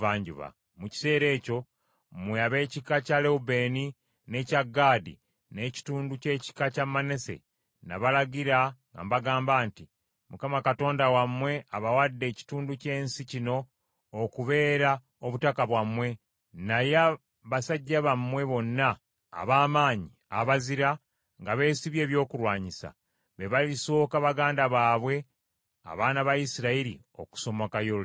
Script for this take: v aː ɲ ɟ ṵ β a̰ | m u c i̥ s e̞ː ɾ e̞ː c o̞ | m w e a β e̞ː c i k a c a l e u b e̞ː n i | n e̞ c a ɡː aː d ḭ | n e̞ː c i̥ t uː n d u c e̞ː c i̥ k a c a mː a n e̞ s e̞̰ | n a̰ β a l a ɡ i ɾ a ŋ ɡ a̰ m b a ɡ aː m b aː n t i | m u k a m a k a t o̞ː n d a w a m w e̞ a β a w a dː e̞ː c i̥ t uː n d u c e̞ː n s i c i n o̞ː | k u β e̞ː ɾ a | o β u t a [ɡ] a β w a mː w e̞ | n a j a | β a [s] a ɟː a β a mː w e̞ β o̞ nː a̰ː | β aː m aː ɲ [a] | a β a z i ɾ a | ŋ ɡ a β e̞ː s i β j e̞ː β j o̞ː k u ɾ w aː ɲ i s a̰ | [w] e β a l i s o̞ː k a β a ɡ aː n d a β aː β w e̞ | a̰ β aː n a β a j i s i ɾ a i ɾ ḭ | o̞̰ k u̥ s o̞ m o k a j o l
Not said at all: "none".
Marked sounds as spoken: k, s, i, β

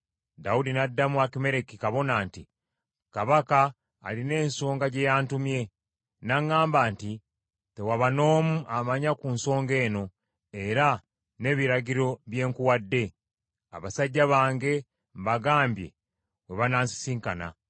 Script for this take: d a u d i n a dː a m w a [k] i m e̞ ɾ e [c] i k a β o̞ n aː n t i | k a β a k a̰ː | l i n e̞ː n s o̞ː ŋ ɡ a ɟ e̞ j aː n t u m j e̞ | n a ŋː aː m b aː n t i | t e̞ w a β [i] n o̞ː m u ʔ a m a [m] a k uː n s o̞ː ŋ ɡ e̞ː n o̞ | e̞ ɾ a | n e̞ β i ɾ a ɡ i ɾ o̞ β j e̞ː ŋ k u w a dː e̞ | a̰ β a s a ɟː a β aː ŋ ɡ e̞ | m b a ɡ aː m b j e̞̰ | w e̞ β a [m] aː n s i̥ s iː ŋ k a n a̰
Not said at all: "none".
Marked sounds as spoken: k, k, a, ɲ, n

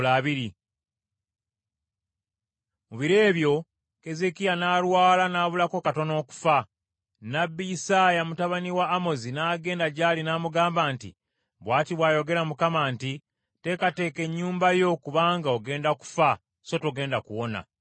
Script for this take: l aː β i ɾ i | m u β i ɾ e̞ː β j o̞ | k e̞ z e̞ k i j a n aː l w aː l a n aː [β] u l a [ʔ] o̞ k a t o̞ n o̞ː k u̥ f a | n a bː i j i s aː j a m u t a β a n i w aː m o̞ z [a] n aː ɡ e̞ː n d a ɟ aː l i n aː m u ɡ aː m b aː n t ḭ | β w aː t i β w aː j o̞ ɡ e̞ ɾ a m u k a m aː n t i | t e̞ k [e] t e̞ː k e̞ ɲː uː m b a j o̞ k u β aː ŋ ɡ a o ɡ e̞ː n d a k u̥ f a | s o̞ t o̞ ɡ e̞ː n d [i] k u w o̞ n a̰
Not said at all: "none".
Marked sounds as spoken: β, k, i, a, a

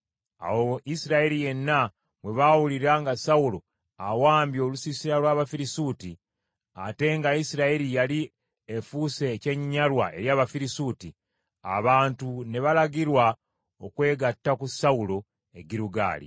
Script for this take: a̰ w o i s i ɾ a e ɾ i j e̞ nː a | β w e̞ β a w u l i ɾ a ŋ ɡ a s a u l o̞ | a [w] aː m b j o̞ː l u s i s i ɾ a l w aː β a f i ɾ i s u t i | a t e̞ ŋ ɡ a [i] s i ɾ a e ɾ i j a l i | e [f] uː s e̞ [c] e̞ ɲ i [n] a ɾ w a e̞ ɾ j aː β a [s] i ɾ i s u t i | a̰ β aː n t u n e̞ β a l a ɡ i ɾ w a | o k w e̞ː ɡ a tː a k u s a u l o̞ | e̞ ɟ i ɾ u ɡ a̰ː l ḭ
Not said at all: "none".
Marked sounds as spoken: w, i, f, c, ɲ, f

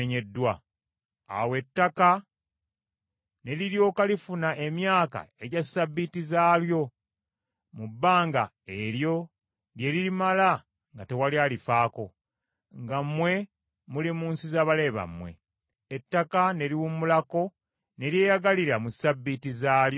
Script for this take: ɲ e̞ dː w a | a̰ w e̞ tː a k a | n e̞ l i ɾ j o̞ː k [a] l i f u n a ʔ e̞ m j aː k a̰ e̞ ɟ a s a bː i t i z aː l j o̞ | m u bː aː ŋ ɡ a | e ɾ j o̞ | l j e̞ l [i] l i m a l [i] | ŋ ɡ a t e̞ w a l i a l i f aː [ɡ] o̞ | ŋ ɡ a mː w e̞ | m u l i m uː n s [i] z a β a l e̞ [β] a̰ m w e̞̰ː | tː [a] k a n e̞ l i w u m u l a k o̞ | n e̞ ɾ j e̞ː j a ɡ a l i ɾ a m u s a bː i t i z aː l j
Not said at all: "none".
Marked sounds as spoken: a, i, a, k, i, β, a

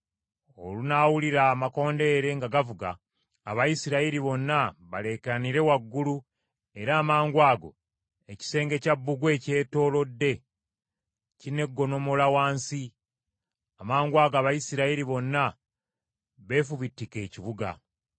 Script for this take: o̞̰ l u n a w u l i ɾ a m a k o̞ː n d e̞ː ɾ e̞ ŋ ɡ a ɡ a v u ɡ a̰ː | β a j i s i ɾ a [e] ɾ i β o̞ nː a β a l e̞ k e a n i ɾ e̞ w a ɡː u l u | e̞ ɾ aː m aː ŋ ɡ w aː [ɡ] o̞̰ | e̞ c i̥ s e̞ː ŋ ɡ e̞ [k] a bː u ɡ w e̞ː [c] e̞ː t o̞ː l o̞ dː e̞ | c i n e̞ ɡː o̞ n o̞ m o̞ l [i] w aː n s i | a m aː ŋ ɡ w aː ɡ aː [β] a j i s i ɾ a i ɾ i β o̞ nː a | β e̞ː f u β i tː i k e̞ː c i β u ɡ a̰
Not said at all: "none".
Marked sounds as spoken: i, ɡ, c, c, a, β

